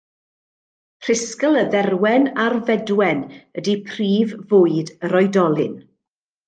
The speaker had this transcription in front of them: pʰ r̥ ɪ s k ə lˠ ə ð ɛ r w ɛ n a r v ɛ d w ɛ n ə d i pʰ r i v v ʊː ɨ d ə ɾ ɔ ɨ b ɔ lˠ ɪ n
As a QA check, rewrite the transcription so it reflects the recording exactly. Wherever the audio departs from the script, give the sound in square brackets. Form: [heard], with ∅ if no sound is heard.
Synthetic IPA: pʰ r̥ ɪ s k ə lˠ ə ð ɛ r w ɛ n a r v ɛ d w ɛ n ə d i pʰ r [iː] v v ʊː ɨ d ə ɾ ɔ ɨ [d] ɔ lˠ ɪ n